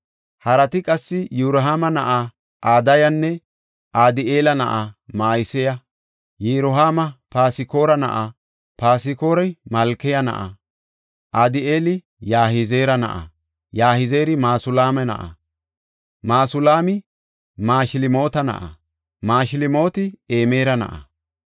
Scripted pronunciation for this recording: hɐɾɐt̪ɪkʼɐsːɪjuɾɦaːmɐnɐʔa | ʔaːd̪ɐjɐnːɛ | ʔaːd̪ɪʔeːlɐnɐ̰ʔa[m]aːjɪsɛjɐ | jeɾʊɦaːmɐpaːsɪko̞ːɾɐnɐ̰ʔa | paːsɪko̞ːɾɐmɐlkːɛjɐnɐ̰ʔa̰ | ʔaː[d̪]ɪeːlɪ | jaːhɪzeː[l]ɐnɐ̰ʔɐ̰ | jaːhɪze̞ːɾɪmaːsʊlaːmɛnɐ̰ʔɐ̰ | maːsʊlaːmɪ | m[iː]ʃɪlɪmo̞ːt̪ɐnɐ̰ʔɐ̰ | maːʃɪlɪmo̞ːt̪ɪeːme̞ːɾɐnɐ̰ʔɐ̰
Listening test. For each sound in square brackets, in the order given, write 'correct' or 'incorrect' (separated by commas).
correct, correct, incorrect, incorrect